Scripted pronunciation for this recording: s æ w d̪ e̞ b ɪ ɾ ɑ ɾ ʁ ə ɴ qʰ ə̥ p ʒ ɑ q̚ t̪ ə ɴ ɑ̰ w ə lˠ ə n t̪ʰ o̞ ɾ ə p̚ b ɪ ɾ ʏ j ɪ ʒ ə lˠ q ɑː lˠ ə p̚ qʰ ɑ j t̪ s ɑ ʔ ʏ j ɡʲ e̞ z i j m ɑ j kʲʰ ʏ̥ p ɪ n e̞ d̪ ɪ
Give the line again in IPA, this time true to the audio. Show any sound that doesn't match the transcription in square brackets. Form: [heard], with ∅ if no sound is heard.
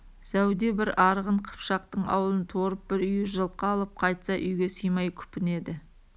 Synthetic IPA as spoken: s æ w d̪ e̞ b ɪ ɾ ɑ ɾ ʁ ə ɴ qʰ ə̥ p [ʃ] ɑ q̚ t̪ ə ɴ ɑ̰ w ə lˠ ə n t̪ʰ o̞ ɾ ə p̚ b ɪ ɾ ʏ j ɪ ʒ ə lˠ q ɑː lˠ ə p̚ qʰ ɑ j t̪ s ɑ ʔ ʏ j ɡʲ e̞ [s] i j m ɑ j kʲʰ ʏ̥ p ɪ n e̞ d̪ ɪ

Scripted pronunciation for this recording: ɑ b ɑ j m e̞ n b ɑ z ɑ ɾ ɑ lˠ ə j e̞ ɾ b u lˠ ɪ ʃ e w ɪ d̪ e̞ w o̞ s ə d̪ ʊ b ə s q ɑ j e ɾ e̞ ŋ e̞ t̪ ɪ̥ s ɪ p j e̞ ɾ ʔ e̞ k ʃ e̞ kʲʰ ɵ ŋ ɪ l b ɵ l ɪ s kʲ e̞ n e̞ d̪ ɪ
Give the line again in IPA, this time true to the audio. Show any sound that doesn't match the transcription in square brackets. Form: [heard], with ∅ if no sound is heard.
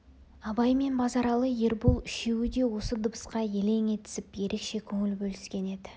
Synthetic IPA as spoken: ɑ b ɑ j m e̞ n b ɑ z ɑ ɾ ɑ lˠ ə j e̞ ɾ b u lˠ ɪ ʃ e w ɪ d̪ e̞ w o̞ s ə d̪ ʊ b ə s q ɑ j e [l] e̞ ŋ e̞ t̪ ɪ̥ s ɪ p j e̞ ɾ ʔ e̞ k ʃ e̞ kʲʰ ɵ ŋ ɪ l b ɵ l ɪ s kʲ e̞ n e̞ d̪ ɪ

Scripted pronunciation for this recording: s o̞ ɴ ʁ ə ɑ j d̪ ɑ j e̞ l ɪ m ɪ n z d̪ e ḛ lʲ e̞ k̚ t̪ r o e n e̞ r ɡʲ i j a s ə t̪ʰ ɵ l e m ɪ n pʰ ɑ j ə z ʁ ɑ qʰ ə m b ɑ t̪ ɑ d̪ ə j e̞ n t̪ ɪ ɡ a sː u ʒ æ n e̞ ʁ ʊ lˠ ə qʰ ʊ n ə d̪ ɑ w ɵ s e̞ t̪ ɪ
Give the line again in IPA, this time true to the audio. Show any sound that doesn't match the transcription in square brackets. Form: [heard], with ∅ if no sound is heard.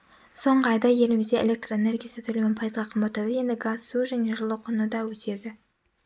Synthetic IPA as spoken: s o̞ ɴ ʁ ə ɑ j d̪ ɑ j e̞ l ɪ m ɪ [∅] z d̪ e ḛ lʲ e̞ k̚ t̪ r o e n e̞ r ɡʲ i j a s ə t̪ʰ ɵ l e m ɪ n pʰ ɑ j ə z ʁ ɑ qʰ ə m b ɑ t̪ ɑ d̪ ə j e̞ n [d̪] ɪ ɡ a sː u ʒ æ n e̞ [ʒ] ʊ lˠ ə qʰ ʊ n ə d̪ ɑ w ɵ s e̞ [d̪] ɪ

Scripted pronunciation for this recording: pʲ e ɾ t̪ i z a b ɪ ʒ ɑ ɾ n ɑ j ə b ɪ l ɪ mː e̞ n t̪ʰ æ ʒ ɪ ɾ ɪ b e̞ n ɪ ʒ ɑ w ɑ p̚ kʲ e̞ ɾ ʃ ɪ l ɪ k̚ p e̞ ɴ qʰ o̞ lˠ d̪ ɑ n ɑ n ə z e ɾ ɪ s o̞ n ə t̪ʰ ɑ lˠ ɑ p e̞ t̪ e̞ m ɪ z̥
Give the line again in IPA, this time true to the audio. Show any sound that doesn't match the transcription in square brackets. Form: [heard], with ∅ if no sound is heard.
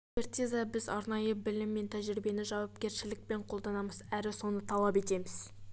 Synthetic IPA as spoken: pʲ e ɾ t̪ i z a b ɪ [z] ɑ ɾ n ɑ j ə b ɪ l ɪ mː e̞ n t̪ʰ æ ʒ ɪ ɾ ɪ b e̞ n ɪ ʒ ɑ w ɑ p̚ kʲ e̞ ɾ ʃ ɪ l ɪ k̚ p e̞ ɴ qʰ o̞ lˠ d̪ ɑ n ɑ [m] ə z [æ] ɾ ɪ s o̞ n ə t̪ʰ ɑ lˠ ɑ p e̞ t̪ e̞ m ɪ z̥

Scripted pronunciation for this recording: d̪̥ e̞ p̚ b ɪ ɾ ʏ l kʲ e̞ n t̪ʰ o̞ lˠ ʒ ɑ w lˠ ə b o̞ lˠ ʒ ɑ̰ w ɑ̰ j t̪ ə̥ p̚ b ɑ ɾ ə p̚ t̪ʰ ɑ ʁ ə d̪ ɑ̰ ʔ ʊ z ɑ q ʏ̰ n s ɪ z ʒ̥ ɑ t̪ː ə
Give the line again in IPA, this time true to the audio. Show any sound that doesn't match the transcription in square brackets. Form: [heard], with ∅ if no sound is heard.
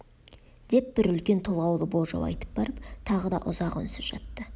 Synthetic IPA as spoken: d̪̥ e̞ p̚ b ɪ ɾ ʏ l kʲ e̞ n t̪ʰ o̞ lˠ [ʁ] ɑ w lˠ ə b o̞ lˠ ʒ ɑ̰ w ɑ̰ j t̪ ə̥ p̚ b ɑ ɾ ə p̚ t̪ʰ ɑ ʁ ə d̪ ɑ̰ ʔ ʊ z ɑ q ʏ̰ n s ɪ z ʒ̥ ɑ t̪ː ə

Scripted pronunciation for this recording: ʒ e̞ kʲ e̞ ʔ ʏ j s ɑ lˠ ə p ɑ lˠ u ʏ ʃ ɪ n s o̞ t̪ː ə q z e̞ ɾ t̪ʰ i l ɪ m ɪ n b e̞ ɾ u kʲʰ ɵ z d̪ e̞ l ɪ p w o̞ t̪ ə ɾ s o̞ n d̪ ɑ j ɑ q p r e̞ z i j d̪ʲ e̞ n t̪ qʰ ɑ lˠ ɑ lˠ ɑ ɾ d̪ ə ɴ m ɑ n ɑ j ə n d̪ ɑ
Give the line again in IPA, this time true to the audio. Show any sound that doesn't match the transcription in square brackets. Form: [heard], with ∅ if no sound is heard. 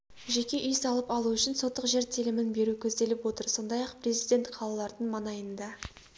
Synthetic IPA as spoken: ʒ e̞ kʲ e̞ ʔ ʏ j s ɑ lˠ ə p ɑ lˠ u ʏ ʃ ɪ n s o̞ t̪ː ə q [ʒ] e̞ ɾ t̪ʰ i l ɪ m ɪ n b e̞ ɾ u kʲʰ ɵ z d̪ e̞ l ɪ p w o̞ t̪ ə ɾ s o̞ n d̪ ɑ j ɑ q p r e̞ z i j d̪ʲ e̞ n t̪ qʰ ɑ lˠ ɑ lˠ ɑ ɾ d̪ ə ɴ m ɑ n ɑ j ə n d̪ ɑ

